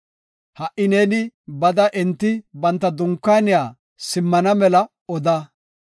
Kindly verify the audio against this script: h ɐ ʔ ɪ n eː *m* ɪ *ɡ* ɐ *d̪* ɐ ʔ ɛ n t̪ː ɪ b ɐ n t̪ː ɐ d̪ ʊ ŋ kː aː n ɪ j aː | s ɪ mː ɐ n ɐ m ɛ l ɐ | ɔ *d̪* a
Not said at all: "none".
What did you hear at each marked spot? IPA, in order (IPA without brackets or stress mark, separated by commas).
n, b, d̪, d̪